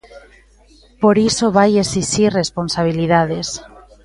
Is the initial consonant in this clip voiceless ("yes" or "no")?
yes